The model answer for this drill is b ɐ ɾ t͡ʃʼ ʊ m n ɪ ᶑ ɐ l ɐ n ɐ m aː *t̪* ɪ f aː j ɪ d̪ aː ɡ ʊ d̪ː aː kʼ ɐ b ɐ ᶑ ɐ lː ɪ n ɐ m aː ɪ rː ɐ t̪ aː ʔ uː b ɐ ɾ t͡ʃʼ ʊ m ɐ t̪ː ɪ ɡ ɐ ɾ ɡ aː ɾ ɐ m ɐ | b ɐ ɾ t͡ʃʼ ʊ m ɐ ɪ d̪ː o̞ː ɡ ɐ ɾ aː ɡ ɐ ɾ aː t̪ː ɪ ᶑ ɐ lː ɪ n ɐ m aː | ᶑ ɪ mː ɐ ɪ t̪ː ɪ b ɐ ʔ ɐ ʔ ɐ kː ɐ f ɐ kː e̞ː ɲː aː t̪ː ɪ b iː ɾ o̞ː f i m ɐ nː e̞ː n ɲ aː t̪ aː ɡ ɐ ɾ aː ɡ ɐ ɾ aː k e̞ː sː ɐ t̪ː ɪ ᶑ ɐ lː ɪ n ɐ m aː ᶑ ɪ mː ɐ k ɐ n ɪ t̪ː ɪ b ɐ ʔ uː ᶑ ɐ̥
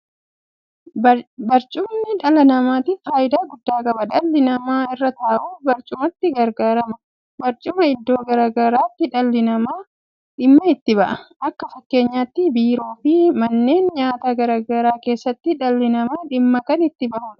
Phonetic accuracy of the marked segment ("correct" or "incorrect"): correct